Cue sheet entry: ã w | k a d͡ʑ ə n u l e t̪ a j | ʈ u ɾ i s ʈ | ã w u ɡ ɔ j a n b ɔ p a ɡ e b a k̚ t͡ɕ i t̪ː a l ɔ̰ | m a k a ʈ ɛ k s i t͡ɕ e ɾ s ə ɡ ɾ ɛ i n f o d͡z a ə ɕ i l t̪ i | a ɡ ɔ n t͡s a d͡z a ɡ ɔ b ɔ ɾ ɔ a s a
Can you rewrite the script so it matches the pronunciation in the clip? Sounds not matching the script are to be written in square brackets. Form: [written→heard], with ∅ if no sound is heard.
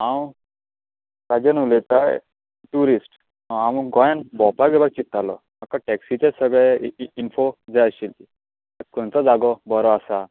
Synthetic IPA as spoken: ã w | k a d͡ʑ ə n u l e t̪ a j | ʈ u ɾ i s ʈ | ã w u ɡ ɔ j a n b ɔ p a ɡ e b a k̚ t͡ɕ i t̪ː a l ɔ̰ | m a k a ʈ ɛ k s i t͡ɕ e [ɾ→∅] s ə ɡ [ɾ→ɭ] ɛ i n f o d͡z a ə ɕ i l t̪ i | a [ɡ→k] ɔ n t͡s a d͡z a ɡ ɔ b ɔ ɾ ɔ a s a